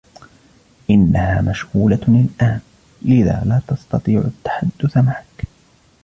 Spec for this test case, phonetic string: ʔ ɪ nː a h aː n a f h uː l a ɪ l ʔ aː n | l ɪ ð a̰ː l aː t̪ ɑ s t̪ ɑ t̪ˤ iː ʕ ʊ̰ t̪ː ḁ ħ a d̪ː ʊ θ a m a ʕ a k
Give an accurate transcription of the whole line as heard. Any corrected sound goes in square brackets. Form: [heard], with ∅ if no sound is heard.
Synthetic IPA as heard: ʔ ɪ nː a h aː [m] a [ʃ] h uː l a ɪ l ʔ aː n | l ɪ ð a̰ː l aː t̪ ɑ s t̪ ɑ t̪ˤ iː ʕ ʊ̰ t̪ː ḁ ħ a d̪ː ʊ θ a m a ʕ a k